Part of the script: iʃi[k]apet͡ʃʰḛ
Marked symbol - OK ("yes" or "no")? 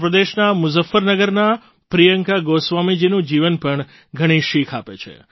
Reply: no